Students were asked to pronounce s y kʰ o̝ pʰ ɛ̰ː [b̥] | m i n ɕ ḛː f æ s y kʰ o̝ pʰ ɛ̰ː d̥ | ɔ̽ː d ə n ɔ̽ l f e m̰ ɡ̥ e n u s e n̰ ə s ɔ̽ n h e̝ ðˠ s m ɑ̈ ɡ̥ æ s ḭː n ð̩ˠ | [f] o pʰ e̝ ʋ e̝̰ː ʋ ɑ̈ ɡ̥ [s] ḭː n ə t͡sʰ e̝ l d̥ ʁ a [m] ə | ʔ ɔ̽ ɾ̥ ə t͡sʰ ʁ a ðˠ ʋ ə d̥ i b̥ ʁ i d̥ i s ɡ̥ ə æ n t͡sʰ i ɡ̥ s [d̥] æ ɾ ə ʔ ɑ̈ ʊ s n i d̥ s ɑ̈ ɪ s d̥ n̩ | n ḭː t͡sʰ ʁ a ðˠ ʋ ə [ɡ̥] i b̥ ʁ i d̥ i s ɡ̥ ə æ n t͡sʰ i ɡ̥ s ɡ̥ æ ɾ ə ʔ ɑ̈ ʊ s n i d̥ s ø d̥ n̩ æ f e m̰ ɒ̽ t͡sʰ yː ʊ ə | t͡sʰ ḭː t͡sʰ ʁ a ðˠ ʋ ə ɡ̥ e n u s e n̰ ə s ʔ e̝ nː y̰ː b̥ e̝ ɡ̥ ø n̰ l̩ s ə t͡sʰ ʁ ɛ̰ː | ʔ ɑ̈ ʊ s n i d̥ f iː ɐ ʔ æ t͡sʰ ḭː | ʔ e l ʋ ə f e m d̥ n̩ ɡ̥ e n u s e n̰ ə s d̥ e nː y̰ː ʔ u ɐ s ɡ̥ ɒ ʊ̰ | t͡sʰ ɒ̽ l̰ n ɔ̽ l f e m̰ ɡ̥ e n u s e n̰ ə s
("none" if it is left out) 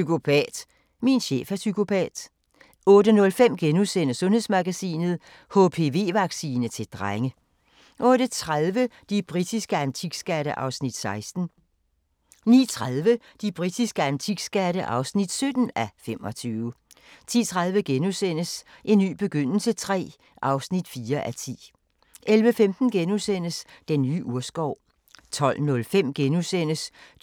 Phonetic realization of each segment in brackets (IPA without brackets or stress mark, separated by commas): d̥, h, s, ŋ, ɡ̥, d̥